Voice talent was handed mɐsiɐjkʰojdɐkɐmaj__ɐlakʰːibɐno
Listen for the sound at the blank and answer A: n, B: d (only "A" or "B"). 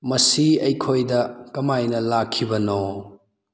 A